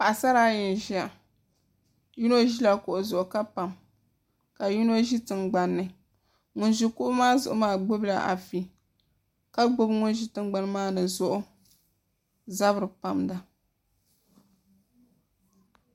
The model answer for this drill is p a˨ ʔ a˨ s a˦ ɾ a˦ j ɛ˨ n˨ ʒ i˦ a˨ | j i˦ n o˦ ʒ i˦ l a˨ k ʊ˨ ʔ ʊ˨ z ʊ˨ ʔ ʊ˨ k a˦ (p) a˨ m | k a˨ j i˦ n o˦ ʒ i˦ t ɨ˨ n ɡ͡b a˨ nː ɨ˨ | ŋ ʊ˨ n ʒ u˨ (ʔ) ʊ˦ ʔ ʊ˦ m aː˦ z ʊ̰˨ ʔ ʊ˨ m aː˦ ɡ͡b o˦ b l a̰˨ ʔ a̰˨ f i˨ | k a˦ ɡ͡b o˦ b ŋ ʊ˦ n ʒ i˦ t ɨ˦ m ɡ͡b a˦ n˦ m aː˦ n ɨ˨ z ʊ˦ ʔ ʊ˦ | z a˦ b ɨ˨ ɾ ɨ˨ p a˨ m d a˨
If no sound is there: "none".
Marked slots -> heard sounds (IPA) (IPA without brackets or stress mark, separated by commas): p, k